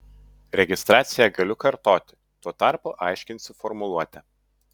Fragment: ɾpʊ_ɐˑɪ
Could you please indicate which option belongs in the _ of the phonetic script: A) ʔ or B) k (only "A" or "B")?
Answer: A